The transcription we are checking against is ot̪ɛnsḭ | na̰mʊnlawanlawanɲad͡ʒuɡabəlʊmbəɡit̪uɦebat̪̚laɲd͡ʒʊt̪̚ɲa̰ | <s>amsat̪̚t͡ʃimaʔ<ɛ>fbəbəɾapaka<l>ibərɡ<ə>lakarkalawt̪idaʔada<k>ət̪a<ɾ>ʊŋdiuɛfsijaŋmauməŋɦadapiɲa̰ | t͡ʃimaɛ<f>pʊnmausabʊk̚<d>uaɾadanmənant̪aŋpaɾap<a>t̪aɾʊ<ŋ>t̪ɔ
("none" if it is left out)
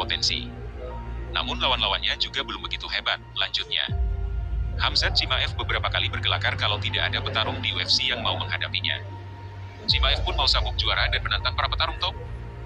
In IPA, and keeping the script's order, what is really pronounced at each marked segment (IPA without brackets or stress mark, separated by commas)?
h, ɛ, l, ə, p, ɾ, f, d͡ʒ, ə, ŋ